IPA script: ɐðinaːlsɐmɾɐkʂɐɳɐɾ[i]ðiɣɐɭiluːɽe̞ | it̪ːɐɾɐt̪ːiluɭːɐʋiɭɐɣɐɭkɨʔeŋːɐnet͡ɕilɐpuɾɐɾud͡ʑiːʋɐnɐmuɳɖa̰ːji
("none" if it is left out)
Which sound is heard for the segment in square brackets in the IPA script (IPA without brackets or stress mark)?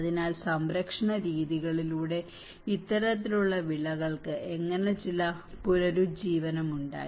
iː